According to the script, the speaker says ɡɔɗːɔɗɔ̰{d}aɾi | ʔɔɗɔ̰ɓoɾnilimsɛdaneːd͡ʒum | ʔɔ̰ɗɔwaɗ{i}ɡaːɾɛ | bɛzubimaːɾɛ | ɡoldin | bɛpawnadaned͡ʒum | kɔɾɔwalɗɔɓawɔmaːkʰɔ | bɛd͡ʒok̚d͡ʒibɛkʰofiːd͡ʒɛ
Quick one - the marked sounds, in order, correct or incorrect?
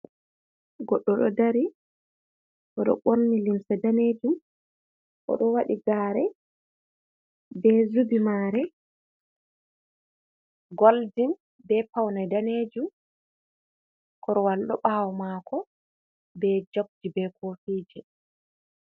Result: correct, correct

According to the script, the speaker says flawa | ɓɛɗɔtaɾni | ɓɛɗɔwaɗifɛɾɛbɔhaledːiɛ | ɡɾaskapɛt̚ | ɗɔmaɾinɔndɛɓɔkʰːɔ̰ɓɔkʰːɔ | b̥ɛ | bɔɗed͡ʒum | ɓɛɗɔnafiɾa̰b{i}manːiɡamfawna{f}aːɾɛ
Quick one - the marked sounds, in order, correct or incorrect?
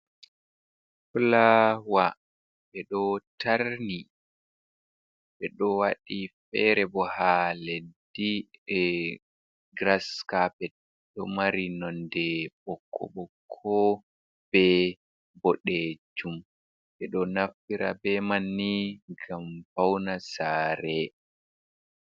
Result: incorrect, incorrect

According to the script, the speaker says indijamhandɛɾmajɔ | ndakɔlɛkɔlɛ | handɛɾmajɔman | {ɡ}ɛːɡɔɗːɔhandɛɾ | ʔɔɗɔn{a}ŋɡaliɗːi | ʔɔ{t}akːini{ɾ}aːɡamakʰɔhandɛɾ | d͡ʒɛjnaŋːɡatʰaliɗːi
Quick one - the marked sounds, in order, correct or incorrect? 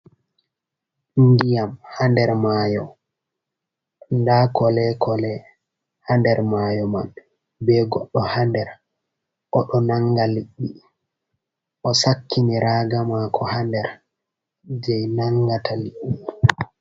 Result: incorrect, correct, incorrect, correct

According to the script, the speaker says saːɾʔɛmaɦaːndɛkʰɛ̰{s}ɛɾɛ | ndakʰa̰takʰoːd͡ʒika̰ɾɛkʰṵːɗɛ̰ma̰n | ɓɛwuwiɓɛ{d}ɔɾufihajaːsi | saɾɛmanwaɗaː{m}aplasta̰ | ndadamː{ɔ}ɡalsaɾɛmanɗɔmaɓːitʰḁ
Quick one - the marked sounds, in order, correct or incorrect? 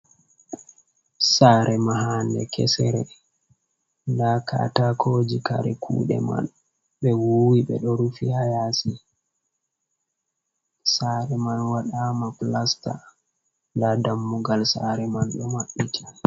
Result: correct, incorrect, correct, incorrect

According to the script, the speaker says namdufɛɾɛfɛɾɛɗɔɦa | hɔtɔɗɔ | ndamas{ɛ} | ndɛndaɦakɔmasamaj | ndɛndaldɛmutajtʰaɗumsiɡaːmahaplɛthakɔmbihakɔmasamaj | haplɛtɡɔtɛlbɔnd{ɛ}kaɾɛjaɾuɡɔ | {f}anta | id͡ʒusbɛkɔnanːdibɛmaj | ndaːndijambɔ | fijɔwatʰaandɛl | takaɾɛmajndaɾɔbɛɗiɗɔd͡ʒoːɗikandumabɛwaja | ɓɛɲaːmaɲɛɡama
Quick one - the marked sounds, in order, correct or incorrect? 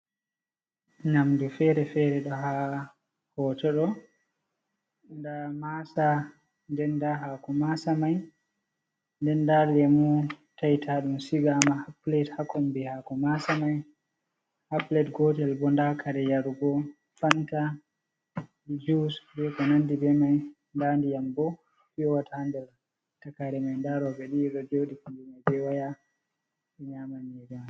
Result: incorrect, incorrect, correct

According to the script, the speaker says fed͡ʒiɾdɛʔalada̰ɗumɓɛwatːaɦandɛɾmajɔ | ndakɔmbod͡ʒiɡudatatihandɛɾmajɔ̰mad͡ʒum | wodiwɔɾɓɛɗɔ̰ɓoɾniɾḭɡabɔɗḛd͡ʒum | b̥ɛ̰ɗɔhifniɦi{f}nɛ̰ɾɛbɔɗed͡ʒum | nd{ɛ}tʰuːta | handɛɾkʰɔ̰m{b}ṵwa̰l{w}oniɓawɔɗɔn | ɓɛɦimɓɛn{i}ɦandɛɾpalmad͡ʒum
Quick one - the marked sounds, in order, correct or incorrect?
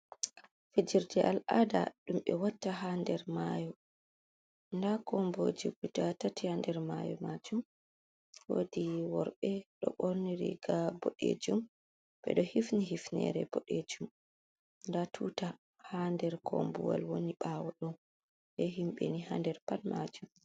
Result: correct, incorrect, correct, correct, correct

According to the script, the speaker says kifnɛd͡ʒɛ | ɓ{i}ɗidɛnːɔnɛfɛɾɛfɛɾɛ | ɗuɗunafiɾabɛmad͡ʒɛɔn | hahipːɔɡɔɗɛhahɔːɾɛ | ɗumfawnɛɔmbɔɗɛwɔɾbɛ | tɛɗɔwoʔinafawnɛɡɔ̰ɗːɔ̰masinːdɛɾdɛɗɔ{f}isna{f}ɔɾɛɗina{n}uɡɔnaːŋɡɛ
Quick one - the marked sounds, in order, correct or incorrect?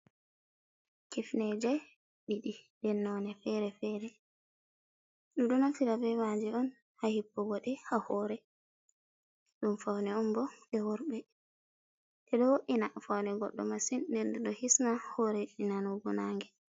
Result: correct, incorrect, incorrect, correct

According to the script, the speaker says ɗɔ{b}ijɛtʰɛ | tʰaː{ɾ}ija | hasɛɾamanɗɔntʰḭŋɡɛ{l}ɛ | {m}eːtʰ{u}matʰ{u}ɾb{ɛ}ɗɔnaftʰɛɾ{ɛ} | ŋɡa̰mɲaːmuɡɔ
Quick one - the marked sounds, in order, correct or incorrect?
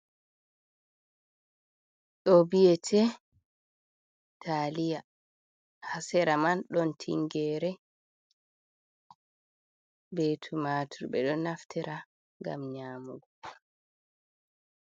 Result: correct, incorrect, incorrect, incorrect, correct, correct, correct, incorrect

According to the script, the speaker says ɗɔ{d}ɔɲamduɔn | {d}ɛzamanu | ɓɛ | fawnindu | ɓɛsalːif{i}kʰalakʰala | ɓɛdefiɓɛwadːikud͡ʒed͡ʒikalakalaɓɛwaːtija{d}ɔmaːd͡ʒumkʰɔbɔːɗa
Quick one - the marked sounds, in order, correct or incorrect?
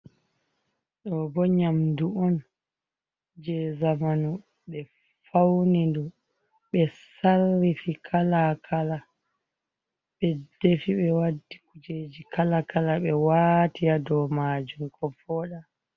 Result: incorrect, incorrect, correct, correct

